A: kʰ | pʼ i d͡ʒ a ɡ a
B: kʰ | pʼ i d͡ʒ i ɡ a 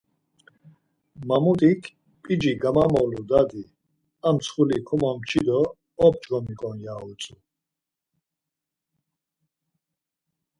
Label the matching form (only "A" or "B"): B